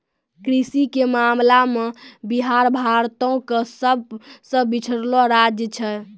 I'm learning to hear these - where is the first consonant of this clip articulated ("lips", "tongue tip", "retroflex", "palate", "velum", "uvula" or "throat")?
velum